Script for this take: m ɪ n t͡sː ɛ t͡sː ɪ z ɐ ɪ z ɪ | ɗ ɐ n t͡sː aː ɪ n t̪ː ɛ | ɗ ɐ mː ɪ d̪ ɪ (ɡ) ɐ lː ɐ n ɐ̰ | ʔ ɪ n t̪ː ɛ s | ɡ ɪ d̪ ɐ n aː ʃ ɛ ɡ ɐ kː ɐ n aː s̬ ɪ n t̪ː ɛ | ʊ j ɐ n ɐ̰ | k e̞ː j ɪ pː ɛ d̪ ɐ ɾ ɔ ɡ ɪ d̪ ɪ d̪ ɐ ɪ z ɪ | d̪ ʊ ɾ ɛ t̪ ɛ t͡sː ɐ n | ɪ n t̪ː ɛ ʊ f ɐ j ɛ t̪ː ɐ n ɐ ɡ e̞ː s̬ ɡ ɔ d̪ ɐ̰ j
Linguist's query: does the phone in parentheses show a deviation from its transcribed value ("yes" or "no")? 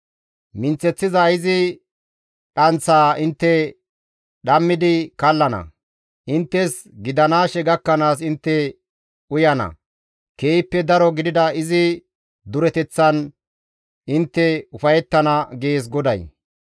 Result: yes